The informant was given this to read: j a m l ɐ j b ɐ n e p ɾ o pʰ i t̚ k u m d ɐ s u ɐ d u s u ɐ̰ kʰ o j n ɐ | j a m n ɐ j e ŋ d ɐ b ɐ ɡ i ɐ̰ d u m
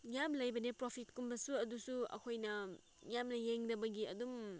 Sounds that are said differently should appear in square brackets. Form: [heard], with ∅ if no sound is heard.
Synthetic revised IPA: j a m l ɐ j b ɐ n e p ɾ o pʰ i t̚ k u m [b] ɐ s u ɐ d u s u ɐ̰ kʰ o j n ɐ | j a m n ɐ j e ŋ d ɐ b ɐ ɡ i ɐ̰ d u m